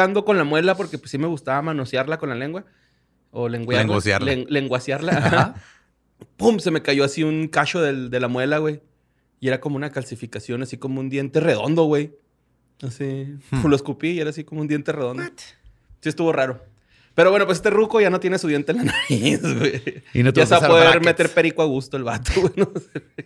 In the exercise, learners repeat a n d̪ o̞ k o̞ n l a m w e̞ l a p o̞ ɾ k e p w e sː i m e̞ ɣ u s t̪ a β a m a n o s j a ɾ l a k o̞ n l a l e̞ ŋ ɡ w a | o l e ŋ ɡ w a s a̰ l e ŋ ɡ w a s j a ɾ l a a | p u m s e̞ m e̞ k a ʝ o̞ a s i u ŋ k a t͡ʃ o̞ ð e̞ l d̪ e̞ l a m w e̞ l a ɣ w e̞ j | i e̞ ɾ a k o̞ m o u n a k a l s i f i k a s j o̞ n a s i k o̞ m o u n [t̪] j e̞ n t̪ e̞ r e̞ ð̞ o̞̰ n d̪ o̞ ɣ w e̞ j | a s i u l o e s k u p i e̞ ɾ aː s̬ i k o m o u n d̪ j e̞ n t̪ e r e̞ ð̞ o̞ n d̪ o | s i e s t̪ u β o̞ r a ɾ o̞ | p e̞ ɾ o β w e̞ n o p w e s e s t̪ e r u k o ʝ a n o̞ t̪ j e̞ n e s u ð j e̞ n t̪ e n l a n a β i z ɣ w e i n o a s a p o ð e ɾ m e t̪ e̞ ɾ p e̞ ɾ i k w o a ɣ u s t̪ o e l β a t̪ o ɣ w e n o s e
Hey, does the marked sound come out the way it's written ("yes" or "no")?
no